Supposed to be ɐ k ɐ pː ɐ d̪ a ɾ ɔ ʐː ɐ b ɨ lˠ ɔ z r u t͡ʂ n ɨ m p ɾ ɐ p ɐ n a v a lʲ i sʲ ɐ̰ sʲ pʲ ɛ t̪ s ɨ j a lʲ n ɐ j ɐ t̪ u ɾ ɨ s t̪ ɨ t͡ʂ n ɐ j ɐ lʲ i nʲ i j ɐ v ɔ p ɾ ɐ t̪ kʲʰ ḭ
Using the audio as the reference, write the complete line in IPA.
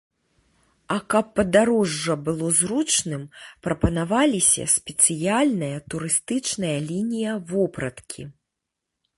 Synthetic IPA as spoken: ɐ k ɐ pː ɐ d̪ a ɾ ɔ ʐː ɐ b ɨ lˠ ɔ z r u t͡ʂ n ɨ m p ɾ ɐ p ɐ n a v a lʲ i sʲ ɐ̰ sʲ pʲ ɛ t̪ s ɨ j a lʲ n ɐ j ɐ t̪ u ɾ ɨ s t̪ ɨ t͡ʂ n ɐ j ɐ lʲ i nʲ i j ɐ v ɔ p ɾ ɐ t̪ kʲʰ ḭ